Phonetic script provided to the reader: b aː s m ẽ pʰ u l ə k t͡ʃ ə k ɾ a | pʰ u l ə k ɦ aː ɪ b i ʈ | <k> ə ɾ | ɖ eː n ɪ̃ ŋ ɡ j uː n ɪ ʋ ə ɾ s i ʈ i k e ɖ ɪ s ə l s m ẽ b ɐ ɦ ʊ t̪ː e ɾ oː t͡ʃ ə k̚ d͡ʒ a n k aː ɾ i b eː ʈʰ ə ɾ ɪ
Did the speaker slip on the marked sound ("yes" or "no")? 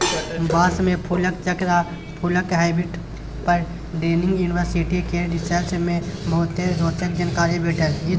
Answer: yes